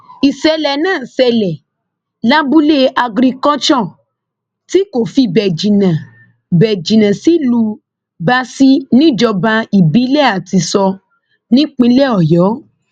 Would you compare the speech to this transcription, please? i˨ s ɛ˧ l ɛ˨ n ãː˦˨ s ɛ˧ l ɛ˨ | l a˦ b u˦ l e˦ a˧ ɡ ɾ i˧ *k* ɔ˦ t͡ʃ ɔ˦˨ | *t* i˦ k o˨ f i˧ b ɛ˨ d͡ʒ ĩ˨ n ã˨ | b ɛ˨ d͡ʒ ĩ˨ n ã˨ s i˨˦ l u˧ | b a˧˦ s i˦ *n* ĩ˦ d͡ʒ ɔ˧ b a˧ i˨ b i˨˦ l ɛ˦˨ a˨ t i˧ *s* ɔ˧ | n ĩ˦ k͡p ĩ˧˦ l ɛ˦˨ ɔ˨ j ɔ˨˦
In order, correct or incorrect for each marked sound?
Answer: correct, correct, correct, correct

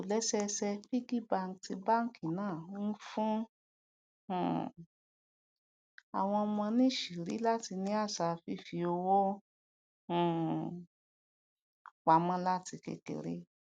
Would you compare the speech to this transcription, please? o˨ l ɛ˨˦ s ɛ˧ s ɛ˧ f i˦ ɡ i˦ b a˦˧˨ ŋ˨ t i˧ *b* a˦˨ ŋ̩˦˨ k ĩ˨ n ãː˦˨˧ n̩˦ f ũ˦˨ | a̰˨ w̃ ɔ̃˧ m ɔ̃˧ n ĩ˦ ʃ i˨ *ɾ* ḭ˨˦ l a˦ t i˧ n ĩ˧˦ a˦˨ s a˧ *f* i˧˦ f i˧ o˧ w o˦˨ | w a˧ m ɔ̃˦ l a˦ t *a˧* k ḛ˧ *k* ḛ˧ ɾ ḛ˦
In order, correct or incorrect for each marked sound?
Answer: correct, correct, correct, incorrect: i˧, correct

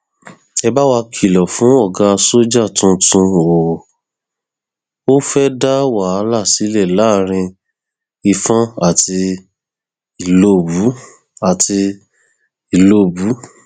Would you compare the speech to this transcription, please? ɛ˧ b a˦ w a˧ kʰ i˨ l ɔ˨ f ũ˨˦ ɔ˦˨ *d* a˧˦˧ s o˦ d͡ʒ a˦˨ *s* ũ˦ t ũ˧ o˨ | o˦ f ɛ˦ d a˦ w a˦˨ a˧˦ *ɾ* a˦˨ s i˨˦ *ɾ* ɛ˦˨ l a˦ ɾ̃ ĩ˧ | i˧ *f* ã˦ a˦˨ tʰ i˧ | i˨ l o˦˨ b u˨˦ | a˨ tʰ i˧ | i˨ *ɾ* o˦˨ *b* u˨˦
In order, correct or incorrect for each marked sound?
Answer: incorrect: ɡ, incorrect: t, incorrect: l, incorrect: l, correct, incorrect: l, correct

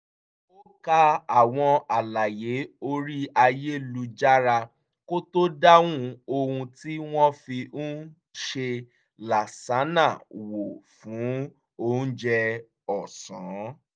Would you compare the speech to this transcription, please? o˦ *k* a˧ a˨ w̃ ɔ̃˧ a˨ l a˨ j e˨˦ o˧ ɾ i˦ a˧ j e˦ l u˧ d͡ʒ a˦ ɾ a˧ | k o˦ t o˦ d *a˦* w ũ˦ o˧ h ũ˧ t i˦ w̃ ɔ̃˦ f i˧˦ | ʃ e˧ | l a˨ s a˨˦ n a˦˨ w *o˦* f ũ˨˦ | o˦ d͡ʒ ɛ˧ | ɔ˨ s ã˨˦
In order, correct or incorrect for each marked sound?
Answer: correct, correct, incorrect: o˨

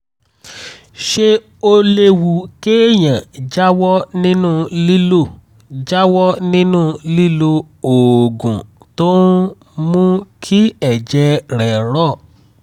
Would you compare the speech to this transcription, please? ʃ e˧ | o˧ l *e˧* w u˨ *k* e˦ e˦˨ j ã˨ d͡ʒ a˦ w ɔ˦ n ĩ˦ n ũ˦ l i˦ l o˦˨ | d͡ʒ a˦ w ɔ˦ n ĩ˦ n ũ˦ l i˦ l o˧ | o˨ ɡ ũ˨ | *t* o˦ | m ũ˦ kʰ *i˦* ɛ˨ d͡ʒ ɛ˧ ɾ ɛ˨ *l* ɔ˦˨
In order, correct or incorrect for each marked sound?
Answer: correct, correct, correct, correct, incorrect: ɾ

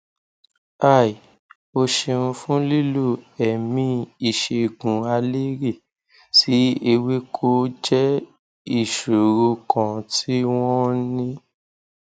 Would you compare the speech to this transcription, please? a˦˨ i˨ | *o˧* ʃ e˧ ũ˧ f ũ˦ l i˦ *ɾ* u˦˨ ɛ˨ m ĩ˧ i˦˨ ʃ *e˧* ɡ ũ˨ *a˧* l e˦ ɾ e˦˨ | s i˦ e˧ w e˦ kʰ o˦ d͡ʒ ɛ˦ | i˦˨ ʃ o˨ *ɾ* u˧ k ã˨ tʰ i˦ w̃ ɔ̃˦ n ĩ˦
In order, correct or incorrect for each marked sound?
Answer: correct, incorrect: l, correct, correct, correct

